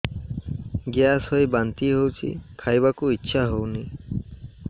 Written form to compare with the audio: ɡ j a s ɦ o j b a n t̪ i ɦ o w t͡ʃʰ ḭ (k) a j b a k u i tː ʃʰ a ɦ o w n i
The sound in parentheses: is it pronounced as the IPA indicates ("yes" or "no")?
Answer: no